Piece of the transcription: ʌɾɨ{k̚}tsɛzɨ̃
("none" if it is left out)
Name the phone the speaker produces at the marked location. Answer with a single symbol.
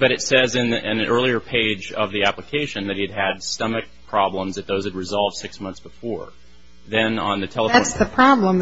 none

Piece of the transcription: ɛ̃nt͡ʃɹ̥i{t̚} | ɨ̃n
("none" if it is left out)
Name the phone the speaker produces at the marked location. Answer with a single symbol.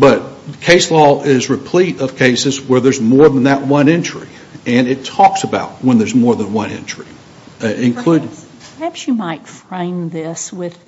none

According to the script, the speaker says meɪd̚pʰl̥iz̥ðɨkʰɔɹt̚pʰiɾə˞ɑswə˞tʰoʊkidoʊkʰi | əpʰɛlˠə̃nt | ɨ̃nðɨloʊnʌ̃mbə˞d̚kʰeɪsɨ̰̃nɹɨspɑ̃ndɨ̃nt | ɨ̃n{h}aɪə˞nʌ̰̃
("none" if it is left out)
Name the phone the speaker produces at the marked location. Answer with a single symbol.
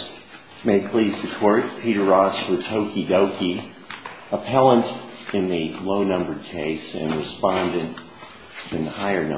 h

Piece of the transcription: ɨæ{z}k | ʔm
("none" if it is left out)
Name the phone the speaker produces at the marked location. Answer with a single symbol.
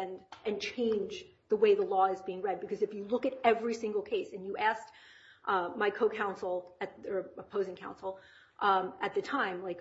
s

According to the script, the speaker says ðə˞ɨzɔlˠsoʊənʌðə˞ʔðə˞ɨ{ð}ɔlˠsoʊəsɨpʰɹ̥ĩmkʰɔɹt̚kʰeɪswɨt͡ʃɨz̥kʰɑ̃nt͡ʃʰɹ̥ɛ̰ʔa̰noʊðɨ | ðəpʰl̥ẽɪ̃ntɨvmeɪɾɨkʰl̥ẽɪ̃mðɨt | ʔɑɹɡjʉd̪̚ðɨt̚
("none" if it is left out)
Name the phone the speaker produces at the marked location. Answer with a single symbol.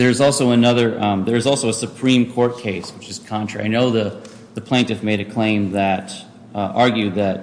z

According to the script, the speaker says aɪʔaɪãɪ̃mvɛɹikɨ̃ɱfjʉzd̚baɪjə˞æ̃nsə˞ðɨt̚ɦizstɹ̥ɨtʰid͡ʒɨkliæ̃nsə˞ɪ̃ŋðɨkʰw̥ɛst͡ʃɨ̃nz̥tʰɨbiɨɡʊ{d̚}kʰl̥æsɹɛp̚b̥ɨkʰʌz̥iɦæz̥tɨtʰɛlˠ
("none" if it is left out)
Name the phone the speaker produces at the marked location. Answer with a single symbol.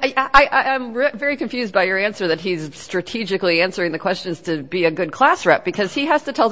d̚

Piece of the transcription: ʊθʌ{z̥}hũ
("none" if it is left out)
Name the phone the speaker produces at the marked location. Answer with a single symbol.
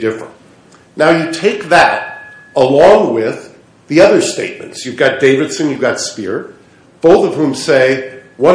v̥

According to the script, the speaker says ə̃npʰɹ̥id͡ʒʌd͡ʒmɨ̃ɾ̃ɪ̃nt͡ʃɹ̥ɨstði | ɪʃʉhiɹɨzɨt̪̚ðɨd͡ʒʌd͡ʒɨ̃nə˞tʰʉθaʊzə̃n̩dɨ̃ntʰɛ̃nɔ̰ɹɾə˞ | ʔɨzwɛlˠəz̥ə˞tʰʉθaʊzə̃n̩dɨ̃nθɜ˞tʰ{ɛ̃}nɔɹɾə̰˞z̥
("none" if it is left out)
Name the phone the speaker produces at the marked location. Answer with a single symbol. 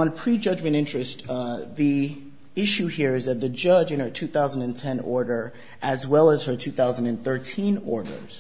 ĩ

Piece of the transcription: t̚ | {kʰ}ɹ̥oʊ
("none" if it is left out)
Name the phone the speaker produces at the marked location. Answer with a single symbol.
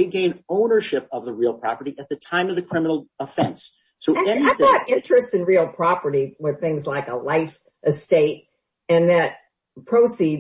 pʰ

